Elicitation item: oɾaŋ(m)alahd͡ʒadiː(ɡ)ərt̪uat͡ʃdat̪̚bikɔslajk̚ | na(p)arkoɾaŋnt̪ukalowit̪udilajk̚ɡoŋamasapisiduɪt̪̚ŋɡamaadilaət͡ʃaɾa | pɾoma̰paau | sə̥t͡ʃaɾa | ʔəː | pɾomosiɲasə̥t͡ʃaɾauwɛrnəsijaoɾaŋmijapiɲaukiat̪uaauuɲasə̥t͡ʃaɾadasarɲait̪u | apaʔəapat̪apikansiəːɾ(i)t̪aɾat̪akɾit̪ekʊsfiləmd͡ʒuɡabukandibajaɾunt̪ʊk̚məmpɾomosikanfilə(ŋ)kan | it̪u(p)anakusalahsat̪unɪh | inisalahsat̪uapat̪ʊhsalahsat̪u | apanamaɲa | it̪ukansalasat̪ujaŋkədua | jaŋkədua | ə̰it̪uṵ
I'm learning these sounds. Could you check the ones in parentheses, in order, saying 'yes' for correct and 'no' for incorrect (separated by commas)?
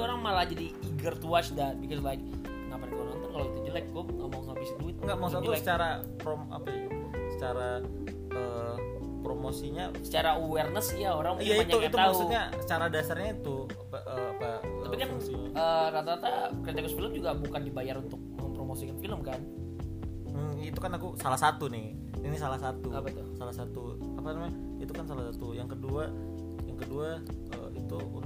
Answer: yes, yes, yes, no, no, no